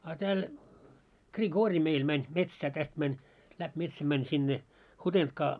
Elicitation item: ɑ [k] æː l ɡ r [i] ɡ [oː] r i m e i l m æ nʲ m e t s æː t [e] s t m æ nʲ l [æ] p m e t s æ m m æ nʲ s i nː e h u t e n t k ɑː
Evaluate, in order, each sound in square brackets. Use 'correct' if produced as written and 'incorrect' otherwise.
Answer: incorrect: t, correct, correct, incorrect: æ, correct

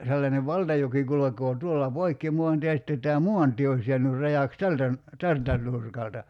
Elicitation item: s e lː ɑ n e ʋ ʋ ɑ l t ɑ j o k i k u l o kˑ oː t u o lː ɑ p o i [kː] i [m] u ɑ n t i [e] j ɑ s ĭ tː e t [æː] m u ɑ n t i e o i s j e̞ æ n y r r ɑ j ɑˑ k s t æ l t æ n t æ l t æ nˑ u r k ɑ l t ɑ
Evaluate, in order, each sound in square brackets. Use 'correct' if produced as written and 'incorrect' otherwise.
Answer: correct, correct, correct, correct

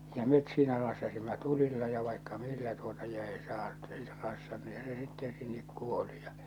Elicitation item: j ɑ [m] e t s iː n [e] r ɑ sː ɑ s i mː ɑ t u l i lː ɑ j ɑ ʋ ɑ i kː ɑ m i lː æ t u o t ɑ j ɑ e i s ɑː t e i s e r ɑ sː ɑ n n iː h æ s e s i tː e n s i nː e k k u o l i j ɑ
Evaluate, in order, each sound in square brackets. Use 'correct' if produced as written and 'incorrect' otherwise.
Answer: correct, incorrect: æ

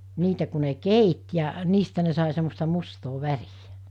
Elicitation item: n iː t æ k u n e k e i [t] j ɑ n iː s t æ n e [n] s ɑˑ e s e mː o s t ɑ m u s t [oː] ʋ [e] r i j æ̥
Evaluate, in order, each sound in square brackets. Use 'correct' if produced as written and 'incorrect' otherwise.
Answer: correct, incorrect: none, correct, incorrect: æ

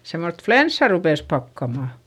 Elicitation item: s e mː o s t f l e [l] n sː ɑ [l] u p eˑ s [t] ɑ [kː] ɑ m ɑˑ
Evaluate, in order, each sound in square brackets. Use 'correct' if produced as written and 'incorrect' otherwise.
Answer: incorrect: none, incorrect: r, incorrect: p, correct

